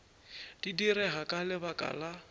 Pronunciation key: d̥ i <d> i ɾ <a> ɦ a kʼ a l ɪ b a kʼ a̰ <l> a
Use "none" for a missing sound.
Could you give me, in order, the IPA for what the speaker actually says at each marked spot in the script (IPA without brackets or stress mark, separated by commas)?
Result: d, ɛ, l